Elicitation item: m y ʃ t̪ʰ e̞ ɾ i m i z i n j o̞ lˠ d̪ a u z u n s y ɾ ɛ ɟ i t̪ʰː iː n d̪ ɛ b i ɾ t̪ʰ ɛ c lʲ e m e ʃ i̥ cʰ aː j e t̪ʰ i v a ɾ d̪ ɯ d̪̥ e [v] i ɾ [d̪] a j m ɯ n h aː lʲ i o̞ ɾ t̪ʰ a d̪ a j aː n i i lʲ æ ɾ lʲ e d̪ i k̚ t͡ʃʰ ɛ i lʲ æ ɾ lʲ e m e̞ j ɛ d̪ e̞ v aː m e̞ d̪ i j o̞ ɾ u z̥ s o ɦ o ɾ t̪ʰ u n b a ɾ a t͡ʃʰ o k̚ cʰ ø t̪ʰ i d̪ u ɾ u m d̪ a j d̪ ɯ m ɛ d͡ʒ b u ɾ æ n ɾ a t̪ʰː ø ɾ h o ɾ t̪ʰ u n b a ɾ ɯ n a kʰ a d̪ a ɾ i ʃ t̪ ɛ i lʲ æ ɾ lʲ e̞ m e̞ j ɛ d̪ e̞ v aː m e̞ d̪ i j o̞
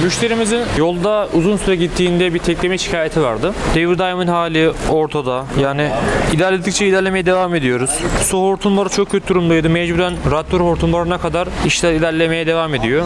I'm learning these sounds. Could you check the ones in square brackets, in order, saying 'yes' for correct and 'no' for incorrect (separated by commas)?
yes, yes